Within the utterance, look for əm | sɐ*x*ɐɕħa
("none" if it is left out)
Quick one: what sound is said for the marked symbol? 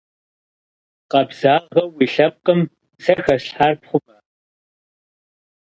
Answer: x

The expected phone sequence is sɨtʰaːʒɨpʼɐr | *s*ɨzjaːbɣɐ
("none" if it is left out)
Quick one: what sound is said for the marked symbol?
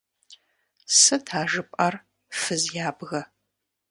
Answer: f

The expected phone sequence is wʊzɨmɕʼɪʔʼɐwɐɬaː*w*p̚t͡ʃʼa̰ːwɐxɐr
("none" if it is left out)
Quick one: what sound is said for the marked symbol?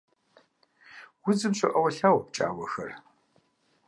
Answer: w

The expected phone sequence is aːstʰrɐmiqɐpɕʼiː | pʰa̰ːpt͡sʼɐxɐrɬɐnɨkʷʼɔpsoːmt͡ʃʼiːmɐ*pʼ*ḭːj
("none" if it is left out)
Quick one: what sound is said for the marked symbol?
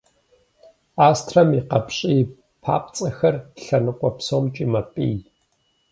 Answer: pʼ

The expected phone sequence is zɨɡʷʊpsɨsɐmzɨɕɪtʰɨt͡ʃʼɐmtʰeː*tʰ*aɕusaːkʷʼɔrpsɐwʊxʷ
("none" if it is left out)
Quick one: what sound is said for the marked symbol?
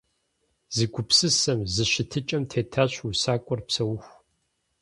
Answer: tʰ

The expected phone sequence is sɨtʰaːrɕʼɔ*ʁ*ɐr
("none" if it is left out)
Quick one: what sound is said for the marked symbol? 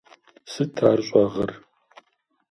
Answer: ʁ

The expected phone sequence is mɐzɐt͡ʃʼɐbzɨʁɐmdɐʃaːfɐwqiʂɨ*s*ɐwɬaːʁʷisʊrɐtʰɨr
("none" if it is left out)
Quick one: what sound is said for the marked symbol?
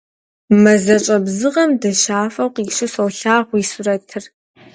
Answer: s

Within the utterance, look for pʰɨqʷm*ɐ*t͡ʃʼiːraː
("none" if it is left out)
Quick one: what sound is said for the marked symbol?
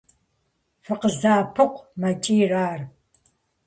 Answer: ɐ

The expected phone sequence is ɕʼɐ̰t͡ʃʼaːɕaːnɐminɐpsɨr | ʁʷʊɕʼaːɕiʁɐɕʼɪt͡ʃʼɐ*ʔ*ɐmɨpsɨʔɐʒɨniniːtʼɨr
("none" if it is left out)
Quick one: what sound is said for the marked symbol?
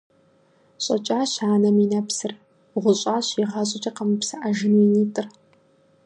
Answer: q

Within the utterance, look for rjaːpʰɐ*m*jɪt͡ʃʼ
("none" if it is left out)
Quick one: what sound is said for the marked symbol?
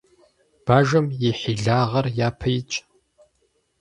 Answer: none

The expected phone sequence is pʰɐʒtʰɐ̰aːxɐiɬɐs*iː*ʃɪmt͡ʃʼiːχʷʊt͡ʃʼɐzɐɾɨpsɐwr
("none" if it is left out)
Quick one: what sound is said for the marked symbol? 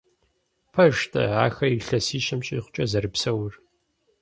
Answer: iː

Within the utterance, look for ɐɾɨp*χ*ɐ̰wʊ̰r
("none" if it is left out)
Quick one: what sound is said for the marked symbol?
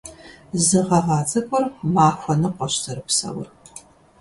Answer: s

